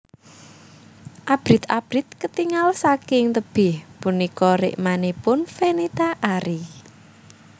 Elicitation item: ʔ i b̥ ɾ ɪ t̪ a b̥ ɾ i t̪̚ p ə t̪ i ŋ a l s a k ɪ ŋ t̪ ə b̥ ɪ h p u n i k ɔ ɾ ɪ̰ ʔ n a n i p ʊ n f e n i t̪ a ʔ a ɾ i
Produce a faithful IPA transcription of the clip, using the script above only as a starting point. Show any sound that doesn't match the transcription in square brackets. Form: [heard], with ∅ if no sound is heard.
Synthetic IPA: ʔ [a] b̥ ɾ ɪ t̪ a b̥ ɾ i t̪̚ [k] ə t̪ i ŋ a l s a k ɪ ŋ t̪ ə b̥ ɪ h p u n i k ɔ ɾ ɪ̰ ʔ [m] a n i p ʊ n f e n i t̪ a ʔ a ɾ i

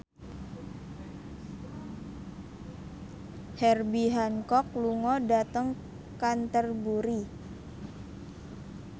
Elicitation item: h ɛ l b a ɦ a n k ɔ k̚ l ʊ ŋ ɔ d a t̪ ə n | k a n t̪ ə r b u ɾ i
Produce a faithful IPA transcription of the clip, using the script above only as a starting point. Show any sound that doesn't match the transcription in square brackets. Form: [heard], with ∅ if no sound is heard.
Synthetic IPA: h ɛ [r] b [i] ɦ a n k ɔ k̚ l [u] ŋ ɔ d a t̪ ə [ŋ] | k a n t̪ ə r b u ɾ i

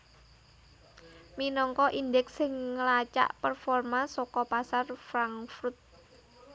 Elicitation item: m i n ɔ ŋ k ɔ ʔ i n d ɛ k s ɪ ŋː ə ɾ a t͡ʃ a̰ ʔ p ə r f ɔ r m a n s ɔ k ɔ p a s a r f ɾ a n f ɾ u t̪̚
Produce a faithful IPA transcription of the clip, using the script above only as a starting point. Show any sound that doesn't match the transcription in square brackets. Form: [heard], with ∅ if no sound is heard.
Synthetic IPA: m i n ɔ ŋ k ɔ ʔ i n d ɛ k s ɪ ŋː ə [l] a t͡ʃ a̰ ʔ p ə r f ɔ r m a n s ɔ k ɔ p a s a r f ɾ a [ŋ] f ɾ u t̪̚

